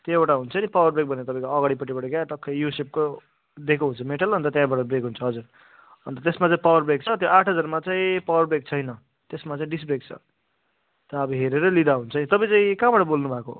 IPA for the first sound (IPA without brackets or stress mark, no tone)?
t̪